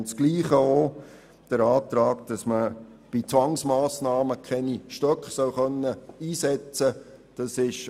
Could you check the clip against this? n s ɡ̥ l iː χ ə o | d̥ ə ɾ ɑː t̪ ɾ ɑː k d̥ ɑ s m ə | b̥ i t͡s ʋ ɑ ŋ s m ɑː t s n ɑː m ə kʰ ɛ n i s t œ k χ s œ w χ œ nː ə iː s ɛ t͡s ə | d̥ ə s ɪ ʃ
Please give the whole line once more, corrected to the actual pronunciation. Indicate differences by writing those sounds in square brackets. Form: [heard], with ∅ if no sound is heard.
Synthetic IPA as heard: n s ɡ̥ l iː χ ə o | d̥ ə ɾ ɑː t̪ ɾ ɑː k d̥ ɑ s m ə | b̥ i t͡s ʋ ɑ ŋ s m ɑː [∅] s n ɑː m ə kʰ ɛ n i [ʃ] t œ k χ s œ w χ œ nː ə iː s ɛ t͡s ə | d̥ [ɑ] s ɪ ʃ